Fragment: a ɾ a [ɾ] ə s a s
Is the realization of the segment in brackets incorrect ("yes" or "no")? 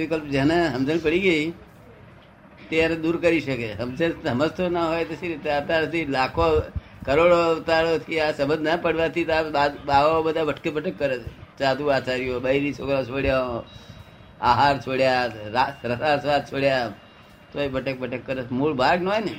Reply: no